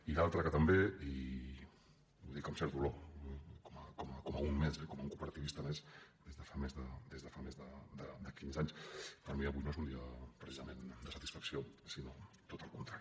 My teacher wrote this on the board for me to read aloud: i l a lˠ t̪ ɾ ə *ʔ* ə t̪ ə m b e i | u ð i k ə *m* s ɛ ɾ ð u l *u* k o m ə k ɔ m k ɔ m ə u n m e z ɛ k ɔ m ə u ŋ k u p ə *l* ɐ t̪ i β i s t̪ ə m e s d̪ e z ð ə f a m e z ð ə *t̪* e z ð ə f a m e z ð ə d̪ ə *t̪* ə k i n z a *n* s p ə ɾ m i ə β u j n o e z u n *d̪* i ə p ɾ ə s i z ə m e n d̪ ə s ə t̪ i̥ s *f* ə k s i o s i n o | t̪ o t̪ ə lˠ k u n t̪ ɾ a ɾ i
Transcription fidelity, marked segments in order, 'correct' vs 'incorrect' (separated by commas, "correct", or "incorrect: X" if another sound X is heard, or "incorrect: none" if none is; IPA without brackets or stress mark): incorrect: k, correct, incorrect: o, incorrect: ɾ, incorrect: d̪, incorrect: d̪, incorrect: ɲ, correct, correct